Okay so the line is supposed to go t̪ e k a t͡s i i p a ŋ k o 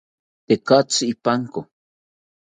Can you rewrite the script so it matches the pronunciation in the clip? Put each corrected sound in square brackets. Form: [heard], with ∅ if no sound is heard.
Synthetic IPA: t̪ e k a t͡s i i p a ŋ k o

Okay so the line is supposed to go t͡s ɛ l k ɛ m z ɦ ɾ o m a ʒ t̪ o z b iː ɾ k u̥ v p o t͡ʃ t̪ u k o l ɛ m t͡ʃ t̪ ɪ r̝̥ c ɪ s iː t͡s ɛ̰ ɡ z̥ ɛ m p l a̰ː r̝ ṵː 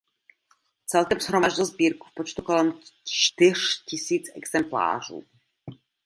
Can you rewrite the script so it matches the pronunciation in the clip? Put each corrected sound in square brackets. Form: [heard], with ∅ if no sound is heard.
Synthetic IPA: t͡s ɛ l k ɛ m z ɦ ɾ o m a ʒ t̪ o z b iː ɾ k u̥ [f] p o t͡ʃ t̪ u k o l ɛ m t͡ʃ t̪ ɪ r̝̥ c ɪ s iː t͡s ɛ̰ ɡ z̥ ɛ m p l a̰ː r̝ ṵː

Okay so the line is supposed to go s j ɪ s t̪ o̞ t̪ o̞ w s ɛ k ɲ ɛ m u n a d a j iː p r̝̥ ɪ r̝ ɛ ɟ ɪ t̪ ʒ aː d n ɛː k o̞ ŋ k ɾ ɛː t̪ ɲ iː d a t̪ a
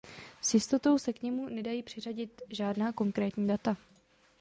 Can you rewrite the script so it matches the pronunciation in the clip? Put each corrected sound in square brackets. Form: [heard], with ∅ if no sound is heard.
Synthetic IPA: s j ɪ s t̪ o̞ t̪ o̞ w s ɛ k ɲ ɛ m u n [ɛ] d a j iː p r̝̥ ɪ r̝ [a] ɟ ɪ t̪ ʒ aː d n [aː] k o̞ ŋ k ɾ ɛː t̪ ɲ iː d a t̪ a

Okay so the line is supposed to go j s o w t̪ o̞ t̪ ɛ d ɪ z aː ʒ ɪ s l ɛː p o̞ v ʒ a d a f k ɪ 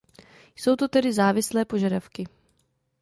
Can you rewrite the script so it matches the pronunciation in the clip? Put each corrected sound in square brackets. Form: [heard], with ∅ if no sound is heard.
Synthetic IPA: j s o w t̪ o̞ t̪ ɛ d ɪ z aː [v] ɪ s l ɛː p o̞ [∅] ʒ a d a f k ɪ

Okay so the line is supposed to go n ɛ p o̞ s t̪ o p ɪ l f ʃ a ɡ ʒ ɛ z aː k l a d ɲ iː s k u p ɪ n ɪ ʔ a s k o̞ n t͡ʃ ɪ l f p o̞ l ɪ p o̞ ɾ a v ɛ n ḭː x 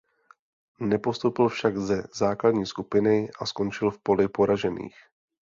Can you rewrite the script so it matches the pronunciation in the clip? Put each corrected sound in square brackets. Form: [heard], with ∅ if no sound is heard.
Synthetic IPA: n ɛ p o̞ s t̪ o p ɪ l f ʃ a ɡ [z] ɛ z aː k l a d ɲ iː s k u p ɪ n ɪ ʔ a s k o̞ n t͡ʃ ɪ l f p o̞ l ɪ p o̞ ɾ a [ʒ] ɛ n ḭː x

